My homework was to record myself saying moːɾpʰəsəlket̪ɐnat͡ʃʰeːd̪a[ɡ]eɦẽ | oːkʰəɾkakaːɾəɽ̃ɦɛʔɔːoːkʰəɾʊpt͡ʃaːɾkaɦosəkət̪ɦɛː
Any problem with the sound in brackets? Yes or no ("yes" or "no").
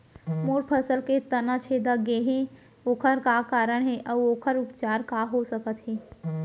no